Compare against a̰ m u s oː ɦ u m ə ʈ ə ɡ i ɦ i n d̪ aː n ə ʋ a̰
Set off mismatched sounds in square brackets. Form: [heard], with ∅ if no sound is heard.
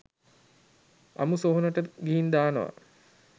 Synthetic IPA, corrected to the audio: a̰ m u s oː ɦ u [n] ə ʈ ə ɡ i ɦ i n d̪ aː n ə ʋ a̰